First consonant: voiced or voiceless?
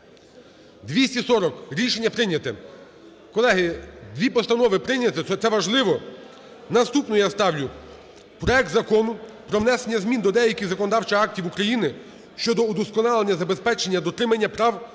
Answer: voiced